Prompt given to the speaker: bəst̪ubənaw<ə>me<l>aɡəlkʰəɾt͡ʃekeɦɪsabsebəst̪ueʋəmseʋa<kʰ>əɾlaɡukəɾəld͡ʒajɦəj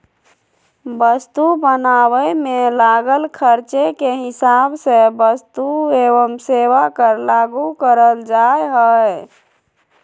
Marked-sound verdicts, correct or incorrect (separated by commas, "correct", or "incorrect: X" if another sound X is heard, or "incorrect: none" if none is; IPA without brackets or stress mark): correct, correct, incorrect: k